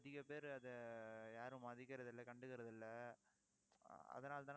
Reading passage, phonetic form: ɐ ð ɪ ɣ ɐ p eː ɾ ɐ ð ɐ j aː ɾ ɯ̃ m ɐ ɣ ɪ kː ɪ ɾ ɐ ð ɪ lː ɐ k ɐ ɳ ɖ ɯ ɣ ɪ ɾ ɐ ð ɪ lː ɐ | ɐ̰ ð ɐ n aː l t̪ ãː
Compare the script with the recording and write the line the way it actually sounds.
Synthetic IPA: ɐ ð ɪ ɣ ɐ p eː ɾ ɐ ð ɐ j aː ɾ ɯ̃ m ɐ ð ɪ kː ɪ ɾ ɐ ð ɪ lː ɐ k ɐ ɳ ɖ ɯ ɣ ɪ ɾ ɐ ð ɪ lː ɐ | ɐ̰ ð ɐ n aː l t̪ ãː